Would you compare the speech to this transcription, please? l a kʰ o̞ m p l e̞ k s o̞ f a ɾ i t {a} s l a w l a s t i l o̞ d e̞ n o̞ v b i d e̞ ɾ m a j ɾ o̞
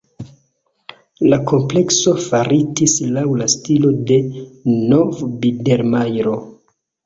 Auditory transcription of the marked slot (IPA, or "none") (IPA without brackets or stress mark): i